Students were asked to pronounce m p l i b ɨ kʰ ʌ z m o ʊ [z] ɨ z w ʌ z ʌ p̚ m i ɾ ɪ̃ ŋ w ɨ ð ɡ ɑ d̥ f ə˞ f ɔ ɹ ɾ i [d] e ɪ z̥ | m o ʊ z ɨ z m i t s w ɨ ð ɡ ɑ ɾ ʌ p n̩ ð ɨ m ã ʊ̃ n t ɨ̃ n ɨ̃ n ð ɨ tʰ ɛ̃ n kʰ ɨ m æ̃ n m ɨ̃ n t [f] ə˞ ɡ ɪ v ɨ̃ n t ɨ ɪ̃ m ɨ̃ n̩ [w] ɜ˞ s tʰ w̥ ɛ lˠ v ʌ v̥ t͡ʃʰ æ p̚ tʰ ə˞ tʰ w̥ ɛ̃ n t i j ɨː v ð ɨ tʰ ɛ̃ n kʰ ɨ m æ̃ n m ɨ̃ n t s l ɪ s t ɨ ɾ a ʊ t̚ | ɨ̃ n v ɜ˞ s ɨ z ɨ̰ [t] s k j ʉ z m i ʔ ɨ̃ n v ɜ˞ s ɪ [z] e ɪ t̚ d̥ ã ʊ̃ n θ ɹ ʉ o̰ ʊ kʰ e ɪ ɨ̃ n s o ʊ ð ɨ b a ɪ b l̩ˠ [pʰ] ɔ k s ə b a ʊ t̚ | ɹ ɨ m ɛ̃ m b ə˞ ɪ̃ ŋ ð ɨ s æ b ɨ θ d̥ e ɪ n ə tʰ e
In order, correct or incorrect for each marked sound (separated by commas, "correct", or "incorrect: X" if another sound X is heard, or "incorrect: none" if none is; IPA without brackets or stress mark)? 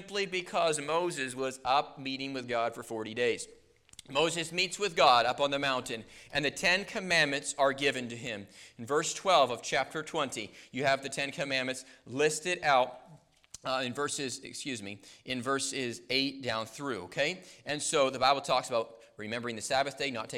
correct, correct, incorrect: s, incorrect: v, incorrect: k, correct, incorrect: tʰ